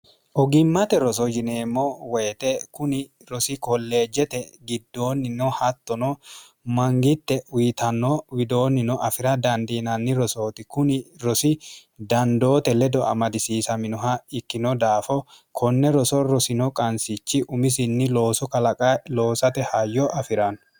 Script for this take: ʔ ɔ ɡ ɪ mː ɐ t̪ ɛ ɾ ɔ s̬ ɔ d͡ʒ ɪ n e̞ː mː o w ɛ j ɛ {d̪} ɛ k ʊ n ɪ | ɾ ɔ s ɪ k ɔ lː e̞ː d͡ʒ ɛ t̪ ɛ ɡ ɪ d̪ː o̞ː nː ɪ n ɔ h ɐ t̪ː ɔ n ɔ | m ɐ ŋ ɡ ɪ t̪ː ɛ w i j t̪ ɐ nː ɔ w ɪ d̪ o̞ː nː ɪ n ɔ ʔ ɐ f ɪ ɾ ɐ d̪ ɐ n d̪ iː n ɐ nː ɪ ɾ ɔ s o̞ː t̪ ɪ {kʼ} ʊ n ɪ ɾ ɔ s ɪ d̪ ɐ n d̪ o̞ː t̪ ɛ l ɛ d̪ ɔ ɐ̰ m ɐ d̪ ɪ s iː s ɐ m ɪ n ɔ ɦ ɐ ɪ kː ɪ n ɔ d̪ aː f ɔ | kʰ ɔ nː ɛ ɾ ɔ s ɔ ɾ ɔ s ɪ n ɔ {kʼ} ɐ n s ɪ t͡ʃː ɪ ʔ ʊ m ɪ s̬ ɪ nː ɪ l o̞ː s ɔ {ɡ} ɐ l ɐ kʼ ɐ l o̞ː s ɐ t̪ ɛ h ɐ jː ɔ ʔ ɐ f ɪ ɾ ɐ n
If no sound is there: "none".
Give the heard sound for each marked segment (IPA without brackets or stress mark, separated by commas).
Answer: t̪, k, kʼ, k